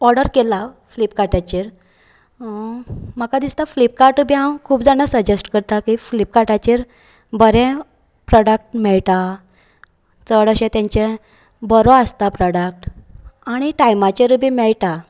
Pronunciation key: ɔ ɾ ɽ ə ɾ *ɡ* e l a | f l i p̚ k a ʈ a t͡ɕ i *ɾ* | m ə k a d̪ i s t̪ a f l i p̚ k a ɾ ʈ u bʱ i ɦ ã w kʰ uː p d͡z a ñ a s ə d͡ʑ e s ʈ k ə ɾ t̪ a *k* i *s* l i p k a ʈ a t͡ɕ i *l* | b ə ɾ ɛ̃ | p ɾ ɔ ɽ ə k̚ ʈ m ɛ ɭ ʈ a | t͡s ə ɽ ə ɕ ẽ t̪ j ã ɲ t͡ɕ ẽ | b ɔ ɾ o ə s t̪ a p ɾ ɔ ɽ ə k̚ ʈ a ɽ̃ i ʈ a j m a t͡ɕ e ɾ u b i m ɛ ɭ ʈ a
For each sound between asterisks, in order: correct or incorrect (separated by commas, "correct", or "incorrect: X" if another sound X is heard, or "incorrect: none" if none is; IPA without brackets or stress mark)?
incorrect: k, correct, correct, incorrect: f, incorrect: ɾ